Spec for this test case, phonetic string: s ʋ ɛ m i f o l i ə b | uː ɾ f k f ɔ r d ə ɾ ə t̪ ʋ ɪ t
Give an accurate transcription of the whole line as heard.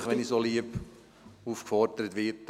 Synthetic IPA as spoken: χ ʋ ɛ n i s o l i ə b | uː f k f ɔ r d ə ɾ ə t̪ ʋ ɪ t